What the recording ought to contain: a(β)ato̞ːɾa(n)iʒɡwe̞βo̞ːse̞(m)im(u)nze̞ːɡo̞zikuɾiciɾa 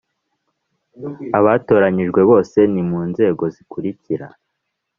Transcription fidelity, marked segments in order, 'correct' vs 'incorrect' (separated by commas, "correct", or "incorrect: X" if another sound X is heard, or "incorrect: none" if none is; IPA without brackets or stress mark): correct, incorrect: ɲ, incorrect: n, incorrect: uː